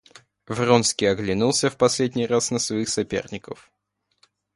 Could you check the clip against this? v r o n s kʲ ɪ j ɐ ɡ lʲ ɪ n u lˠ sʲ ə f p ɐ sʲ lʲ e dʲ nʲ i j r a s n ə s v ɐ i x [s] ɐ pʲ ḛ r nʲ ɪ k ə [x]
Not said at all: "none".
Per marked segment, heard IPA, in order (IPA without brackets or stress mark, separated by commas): s, f